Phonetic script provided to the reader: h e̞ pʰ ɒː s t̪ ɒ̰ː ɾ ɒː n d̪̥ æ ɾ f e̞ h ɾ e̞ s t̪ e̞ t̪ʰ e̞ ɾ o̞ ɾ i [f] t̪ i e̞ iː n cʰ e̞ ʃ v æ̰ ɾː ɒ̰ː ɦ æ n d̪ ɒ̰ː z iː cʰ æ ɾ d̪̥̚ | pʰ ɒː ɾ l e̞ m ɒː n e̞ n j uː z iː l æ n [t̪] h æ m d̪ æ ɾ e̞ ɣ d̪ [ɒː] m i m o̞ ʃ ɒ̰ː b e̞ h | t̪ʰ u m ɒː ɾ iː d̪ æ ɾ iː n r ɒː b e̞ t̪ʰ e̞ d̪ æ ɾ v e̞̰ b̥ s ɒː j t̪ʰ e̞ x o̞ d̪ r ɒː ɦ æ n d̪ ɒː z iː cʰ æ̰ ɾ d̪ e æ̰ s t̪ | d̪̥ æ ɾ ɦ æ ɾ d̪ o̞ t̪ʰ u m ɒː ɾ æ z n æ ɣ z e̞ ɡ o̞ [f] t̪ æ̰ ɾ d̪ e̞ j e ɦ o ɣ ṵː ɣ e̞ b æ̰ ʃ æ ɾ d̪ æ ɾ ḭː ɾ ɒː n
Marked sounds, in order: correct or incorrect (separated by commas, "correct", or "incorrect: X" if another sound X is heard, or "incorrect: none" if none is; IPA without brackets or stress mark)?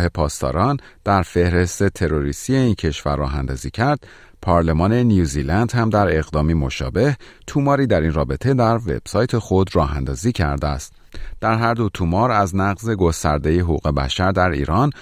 incorrect: s, incorrect: d̪, correct, incorrect: s